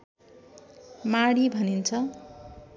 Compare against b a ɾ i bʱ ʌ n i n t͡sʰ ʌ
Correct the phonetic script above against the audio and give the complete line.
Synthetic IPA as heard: m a ɽ i bʱ ʌ n i n t͡sʰ ʌ